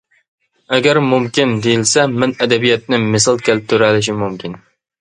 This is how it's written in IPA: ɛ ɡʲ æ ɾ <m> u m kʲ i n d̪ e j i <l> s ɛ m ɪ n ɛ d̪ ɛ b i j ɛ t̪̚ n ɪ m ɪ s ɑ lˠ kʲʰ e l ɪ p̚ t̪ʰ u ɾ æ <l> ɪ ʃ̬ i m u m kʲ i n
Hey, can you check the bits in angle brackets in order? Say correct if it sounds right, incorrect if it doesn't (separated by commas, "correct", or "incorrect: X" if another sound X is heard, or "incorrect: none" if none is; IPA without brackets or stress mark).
correct, correct, correct